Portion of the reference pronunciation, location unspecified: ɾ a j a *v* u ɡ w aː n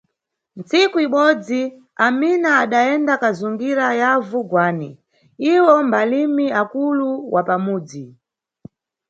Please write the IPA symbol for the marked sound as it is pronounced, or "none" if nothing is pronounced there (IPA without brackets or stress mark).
v